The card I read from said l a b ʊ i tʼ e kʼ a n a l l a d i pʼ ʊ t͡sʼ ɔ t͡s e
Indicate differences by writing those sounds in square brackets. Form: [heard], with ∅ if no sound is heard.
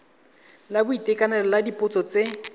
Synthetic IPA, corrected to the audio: l a b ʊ i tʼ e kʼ a n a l l a d i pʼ ʊ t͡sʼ ɔ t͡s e